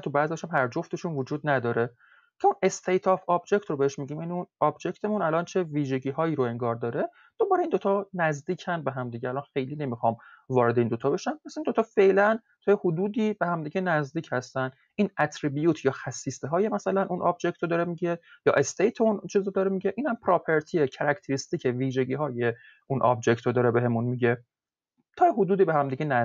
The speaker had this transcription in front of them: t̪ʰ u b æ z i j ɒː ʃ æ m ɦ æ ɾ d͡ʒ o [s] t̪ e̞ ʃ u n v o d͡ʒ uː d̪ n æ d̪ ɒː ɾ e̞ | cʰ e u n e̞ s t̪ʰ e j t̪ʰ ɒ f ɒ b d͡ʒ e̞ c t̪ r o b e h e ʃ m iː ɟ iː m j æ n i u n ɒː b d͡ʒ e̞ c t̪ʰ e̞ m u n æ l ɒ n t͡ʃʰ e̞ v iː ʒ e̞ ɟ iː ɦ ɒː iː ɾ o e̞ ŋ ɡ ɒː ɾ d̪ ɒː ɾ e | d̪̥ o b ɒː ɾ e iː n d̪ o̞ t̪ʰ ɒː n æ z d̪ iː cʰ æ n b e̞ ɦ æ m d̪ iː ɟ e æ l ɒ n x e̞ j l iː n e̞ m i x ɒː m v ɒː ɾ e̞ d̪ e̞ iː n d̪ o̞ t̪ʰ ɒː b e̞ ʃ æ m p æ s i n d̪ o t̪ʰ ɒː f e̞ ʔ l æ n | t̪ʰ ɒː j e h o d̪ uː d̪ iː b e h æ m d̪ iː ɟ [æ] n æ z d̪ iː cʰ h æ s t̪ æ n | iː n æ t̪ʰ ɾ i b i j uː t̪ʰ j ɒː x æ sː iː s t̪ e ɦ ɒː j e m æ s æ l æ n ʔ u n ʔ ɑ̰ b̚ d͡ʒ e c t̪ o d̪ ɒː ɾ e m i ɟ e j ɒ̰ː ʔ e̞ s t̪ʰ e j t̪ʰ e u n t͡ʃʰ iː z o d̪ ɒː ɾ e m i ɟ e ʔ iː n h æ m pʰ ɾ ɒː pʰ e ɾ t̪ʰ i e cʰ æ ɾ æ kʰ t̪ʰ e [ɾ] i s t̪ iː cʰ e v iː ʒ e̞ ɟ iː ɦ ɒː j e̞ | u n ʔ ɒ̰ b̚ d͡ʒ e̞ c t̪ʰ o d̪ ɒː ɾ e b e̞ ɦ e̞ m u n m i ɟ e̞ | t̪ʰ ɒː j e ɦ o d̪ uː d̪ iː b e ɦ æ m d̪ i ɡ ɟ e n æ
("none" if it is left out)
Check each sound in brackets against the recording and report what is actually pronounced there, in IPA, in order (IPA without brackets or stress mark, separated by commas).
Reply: f, e, ɾ